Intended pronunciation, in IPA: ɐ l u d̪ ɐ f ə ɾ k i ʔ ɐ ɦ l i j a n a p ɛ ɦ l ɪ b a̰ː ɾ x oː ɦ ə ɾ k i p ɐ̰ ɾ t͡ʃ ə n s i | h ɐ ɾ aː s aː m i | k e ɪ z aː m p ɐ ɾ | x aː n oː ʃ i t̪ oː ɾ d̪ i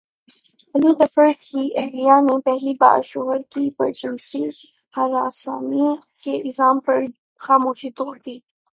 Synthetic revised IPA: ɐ l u d̪ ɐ f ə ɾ k i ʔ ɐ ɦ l i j a n e p ɛ ɦ l i b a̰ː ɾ ʃ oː ɦ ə ɾ k i p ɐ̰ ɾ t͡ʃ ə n s i | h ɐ ɾ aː s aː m i | k e ɪ z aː m p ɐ ɾ | x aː m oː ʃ i t̪ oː ɾ d̪ iː